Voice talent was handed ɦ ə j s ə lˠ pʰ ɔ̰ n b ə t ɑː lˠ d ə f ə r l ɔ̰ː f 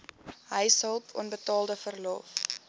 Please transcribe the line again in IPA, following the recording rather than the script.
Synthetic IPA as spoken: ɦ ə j s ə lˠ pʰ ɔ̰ n b ə t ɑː lˠ d ə f ə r l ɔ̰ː f

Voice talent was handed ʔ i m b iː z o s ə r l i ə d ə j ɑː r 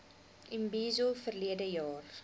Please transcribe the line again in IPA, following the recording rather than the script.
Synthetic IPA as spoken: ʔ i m b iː z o f ə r l i ə d ə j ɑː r

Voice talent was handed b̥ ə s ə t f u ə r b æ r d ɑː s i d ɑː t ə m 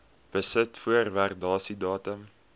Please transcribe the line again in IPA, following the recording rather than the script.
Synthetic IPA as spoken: b̥ ə s ə t f u ə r v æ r d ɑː s i d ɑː t ə m

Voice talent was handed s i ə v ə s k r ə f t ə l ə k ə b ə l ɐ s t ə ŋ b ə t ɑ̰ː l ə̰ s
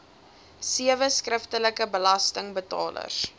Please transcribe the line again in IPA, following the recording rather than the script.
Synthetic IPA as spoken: s i ə v ə s k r ə f t ə l ə k ə b ə l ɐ s t ə ŋ b ə t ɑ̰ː l ə̰ s

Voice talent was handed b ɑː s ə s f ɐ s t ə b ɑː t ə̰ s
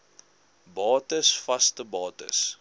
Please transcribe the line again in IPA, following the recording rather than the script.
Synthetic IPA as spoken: b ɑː t ə s f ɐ s t ə b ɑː t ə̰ s

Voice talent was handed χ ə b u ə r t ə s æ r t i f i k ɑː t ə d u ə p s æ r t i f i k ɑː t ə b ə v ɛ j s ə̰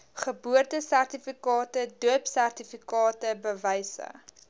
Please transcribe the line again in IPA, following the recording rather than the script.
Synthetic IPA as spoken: χ ə b u ə r t ə s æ r t i f i k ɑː t ə d u ə p s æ r t i f i k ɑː t ə b ə v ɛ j s ə̰

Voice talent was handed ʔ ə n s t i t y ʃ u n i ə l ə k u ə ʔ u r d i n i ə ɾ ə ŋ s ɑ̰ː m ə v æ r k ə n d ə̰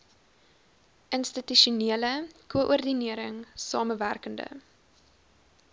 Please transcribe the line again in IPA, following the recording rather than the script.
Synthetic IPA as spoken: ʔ ə n s t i t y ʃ u n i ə l ə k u ə ʔ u r d i n i ə ɾ ə ŋ s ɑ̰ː m ə v æ r k ə n d ə̰

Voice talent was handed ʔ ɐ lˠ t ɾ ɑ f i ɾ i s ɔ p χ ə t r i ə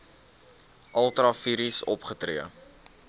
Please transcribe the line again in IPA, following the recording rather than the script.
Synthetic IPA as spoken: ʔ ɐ lˠ t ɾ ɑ f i ɾ i s ɔ p χ ə t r i ə

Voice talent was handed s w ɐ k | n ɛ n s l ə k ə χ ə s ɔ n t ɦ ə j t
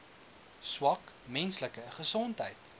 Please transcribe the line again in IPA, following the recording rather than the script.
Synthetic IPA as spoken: s w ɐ k | m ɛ n s l ə k ə χ ə s ɔ n t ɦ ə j t

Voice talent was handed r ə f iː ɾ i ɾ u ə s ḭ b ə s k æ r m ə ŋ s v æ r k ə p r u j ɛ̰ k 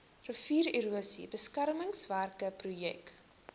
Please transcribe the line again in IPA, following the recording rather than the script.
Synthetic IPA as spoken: r ə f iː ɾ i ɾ u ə s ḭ b ə s k æ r m ə ŋ s v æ r k ə p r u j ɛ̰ k

